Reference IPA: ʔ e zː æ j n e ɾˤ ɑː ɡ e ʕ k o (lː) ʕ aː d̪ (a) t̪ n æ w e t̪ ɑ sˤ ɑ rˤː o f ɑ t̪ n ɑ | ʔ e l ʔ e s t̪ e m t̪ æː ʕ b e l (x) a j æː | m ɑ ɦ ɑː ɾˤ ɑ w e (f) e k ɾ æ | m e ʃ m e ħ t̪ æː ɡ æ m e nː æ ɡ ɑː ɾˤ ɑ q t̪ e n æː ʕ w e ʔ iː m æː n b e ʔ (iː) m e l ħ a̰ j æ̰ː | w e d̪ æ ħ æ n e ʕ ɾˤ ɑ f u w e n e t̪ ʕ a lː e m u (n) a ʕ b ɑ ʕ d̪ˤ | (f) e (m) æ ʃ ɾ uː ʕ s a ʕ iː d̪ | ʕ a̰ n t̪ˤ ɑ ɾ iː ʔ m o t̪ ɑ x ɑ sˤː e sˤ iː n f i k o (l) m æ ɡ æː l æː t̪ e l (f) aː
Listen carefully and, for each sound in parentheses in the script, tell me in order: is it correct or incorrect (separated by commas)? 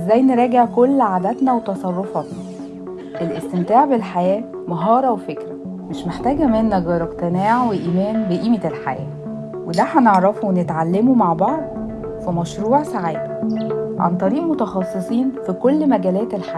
correct, incorrect, incorrect, correct, correct, incorrect, correct, correct, incorrect, incorrect